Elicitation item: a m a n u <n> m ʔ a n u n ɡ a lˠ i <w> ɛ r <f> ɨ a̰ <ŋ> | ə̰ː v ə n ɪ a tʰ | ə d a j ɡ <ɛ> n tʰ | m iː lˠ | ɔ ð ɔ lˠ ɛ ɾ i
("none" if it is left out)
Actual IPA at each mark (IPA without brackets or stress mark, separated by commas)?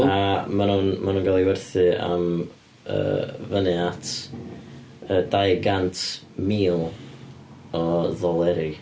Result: n, w, θ, m, a